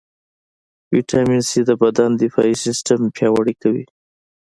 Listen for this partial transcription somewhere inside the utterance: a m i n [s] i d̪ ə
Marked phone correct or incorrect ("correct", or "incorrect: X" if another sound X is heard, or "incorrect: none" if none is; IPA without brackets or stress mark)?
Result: correct